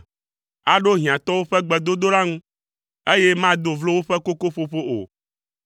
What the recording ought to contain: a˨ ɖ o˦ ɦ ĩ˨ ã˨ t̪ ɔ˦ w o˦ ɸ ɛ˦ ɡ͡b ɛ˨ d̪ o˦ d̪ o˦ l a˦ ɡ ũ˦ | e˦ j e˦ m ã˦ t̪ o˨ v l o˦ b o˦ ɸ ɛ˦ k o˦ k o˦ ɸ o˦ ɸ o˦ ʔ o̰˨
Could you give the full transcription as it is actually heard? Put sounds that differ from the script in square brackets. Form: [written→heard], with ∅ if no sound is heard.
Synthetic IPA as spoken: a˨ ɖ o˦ ɦ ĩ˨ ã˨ t̪ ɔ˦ w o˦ ɸ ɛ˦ ɡ͡b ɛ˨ d̪ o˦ d̪ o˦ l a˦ [ɡ→ŋ] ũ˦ | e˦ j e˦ m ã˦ [t̪→d̪] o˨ v l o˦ [b→w] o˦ ɸ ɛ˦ k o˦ k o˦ ɸ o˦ ɸ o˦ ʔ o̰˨

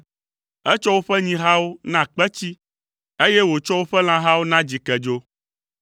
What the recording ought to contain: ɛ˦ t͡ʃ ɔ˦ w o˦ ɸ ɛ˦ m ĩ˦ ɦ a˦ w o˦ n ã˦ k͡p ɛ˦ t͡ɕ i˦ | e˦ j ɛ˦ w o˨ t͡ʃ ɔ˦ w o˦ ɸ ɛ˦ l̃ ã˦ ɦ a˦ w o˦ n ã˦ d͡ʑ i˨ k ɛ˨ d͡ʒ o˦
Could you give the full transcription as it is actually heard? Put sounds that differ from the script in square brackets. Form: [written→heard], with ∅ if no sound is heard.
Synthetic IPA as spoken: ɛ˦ t͡ʃ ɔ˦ w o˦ ɸ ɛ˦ [m→ɲ] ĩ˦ ɦ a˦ w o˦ n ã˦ k͡p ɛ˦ t͡ɕ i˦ | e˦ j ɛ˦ w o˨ t͡ʃ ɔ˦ w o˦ ɸ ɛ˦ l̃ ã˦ ɦ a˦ w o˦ n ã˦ d͡ʑ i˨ k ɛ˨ d͡ʒ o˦

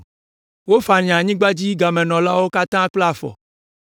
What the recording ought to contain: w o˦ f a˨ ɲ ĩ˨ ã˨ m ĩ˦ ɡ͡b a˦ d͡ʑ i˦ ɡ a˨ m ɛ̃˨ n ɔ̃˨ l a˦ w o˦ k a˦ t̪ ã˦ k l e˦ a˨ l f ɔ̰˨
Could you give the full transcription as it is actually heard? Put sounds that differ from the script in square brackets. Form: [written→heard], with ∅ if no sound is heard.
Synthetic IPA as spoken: w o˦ f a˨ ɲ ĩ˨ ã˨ [m→ɲ] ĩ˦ ɡ͡b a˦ d͡ʑ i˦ ɡ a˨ m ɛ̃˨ n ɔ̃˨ l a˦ w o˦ k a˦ t̪ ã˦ [k→k͡p] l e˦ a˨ [l→∅] f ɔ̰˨

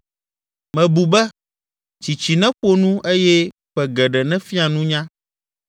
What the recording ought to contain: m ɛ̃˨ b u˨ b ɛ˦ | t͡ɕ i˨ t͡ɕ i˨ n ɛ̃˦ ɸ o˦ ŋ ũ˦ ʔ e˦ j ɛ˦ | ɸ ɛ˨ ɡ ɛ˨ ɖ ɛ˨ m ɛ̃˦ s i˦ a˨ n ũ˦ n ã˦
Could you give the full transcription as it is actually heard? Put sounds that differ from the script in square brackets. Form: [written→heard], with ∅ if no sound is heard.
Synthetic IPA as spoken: m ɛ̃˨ b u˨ b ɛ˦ | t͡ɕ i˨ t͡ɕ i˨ n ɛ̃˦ ɸ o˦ [ŋ→n] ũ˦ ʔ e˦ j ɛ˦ | ɸ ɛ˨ ɡ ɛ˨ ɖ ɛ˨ [m→n] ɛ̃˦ [s→f] i˦ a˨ n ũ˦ [n→ɲ] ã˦

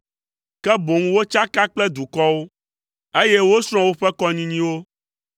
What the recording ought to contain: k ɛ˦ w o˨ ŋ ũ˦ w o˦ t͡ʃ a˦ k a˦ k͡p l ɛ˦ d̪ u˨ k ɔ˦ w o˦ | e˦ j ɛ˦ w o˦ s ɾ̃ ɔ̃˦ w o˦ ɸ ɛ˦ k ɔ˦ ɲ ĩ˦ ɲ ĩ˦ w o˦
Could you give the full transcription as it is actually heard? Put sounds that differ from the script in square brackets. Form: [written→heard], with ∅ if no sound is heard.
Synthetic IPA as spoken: k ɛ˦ [w→b] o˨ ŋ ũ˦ w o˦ t͡ʃ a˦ k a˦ k͡p l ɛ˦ d̪ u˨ k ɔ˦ w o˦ | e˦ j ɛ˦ w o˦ s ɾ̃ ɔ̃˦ w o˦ ɸ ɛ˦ k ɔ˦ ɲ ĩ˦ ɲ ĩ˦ w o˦

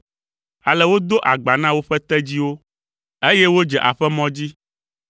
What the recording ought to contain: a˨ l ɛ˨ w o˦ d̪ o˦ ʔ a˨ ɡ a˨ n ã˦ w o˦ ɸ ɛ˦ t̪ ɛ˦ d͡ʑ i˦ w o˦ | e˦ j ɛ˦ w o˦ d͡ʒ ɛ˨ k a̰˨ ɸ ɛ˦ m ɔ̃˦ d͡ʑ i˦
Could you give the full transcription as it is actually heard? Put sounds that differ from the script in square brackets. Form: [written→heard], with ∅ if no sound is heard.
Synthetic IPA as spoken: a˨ l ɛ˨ w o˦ d̪ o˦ ʔ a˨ [ɡ→ɡ͡b] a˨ n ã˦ w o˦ ɸ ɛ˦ t̪ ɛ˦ d͡ʑ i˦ w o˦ | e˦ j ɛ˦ w o˦ d͡ʒ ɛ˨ [k→ʔ] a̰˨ ɸ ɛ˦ m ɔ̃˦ d͡ʑ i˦

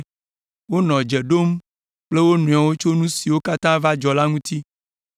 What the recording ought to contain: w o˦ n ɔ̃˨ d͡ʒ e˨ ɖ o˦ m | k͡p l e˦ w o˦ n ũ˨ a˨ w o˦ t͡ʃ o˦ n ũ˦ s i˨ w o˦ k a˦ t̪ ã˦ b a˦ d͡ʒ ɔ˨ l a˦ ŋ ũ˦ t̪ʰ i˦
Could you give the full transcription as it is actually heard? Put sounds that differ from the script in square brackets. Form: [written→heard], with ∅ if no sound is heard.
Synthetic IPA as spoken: w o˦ n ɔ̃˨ d͡ʒ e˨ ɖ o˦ m | k͡p l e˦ w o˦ n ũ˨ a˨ w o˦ t͡ʃ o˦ n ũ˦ s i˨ w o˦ k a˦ t̪ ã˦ [b→v] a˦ d͡ʒ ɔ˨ l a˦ ŋ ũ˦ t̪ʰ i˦

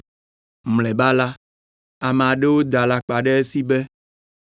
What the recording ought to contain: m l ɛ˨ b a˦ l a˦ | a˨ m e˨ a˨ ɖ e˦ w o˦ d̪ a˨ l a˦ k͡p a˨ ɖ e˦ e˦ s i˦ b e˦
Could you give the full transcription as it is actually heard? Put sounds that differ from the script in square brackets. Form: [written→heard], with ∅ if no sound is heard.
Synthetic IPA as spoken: m l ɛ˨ b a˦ l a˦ | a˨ m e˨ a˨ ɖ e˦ w o˦ d̪ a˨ l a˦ k͡p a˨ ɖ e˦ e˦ s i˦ b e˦

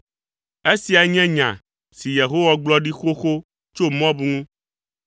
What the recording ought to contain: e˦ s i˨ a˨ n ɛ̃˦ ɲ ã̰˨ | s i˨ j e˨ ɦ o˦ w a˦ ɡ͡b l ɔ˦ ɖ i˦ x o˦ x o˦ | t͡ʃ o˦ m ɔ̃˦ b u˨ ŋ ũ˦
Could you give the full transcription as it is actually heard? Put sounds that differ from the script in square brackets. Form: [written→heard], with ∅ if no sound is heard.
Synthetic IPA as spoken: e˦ s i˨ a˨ [n→ɲ] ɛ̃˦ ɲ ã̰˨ | s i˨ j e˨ ɦ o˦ w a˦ ɡ͡b l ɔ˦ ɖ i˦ x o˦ x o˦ | t͡ʃ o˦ m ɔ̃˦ b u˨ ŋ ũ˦

